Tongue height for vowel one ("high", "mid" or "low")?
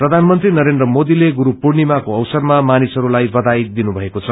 mid